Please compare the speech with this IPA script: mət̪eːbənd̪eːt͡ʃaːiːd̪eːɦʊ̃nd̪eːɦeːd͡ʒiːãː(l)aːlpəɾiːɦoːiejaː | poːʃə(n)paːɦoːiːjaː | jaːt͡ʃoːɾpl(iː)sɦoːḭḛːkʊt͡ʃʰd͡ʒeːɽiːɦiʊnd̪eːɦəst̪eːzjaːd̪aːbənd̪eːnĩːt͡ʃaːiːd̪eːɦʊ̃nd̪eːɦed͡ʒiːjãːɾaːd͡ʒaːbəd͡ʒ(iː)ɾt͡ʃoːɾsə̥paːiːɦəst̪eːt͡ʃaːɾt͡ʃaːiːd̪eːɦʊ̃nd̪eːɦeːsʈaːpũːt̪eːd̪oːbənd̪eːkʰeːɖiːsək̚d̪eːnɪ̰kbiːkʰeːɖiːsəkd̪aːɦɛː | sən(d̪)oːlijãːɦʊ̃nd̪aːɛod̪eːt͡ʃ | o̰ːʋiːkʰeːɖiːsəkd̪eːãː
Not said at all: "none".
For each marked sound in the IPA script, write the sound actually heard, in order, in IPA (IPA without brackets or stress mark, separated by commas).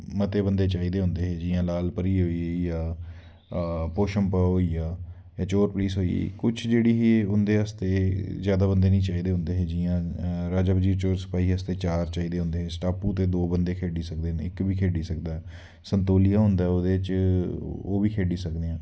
l, m, iː, iː, t̪